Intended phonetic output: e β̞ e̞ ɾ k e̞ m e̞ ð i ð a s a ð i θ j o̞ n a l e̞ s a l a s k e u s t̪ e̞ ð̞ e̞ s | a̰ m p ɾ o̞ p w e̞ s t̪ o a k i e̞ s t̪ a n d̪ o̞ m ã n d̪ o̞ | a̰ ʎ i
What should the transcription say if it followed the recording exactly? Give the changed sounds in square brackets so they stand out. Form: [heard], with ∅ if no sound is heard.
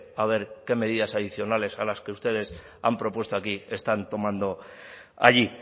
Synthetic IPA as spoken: [a] β̞ e̞ ɾ k e̞ m e̞ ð i ð a s a ð i θ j o̞ n a l e̞ s a l a s k e u s t̪ e̞ ð̞ e̞ s | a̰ m p ɾ o̞ p w e̞ s t̪ o a k i e̞ s t̪ a n [t̪] o̞ m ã n d̪ o̞ | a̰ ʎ i